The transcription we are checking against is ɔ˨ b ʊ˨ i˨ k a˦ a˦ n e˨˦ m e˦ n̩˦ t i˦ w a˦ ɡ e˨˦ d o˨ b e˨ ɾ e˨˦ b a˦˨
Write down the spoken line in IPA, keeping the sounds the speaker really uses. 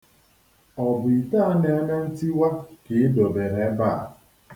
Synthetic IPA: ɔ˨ b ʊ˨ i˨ t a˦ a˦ n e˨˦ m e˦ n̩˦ t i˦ w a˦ k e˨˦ d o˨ b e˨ ɾ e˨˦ b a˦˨